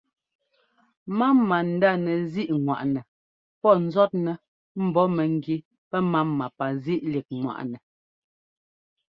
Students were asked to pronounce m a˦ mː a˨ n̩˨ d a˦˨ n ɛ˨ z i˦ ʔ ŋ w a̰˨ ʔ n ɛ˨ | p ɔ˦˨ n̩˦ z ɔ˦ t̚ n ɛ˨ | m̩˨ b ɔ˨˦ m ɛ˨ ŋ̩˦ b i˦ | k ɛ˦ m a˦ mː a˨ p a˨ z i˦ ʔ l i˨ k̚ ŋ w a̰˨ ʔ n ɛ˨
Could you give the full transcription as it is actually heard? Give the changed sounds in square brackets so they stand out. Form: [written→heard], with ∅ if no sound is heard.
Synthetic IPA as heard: m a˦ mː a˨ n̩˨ d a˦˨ n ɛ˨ z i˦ ʔ ŋ w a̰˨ ʔ n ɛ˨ | p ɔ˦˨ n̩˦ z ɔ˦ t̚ n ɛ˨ | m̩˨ b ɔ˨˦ m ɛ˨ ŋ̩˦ [b→ɡ] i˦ | [k→p] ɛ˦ m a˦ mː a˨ p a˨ z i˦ ʔ l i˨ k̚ ŋ w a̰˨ ʔ n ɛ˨